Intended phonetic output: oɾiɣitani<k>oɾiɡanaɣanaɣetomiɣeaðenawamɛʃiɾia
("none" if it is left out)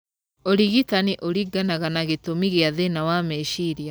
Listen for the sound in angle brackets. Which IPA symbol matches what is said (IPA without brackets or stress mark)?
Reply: ʔ